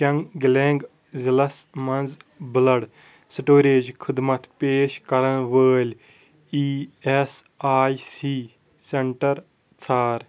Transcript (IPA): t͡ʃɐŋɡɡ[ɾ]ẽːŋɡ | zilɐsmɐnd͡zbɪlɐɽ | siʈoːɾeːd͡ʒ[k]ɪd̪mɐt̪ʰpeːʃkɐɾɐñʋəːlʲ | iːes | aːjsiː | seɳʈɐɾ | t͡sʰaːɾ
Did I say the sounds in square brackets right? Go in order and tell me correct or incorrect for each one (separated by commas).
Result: incorrect, incorrect